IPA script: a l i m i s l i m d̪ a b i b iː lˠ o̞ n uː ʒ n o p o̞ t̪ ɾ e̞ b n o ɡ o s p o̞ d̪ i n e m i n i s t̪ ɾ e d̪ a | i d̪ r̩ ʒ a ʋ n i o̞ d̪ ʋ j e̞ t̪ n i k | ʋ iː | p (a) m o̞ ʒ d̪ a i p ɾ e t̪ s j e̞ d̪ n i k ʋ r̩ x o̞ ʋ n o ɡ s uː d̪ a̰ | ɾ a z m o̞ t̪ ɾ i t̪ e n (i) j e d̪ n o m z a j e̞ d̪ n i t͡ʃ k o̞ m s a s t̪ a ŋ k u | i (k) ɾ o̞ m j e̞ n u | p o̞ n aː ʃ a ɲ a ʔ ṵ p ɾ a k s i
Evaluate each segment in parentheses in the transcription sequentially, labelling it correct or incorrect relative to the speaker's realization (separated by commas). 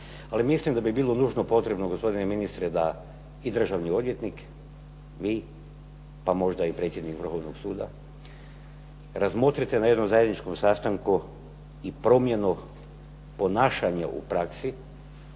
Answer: correct, incorrect, incorrect